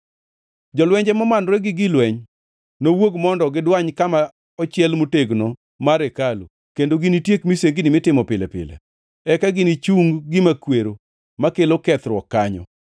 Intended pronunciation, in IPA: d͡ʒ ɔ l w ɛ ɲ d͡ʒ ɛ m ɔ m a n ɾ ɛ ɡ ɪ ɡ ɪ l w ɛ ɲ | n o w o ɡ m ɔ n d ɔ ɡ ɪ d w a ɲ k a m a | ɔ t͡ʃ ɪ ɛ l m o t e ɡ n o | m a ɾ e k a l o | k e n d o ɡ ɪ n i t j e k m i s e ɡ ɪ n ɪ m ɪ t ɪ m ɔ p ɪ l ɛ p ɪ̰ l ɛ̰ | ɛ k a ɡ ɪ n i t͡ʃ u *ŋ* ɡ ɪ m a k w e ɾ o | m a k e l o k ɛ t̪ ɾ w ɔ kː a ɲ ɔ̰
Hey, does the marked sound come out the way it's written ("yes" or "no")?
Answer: yes